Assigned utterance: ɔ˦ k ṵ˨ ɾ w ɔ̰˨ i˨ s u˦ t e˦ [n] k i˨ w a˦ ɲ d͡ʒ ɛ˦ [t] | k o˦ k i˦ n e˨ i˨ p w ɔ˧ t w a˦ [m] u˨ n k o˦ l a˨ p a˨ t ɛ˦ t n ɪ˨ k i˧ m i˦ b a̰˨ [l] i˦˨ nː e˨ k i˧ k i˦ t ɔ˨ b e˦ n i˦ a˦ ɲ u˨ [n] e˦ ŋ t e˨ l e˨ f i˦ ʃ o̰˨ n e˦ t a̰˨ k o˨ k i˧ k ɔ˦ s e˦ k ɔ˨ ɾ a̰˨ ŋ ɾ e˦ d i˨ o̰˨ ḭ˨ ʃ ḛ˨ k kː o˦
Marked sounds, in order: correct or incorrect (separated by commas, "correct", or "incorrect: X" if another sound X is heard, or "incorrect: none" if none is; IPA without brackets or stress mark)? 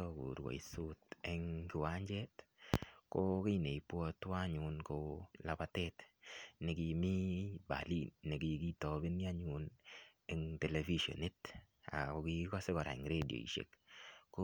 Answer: incorrect: ŋ, correct, incorrect: ɲ, correct, correct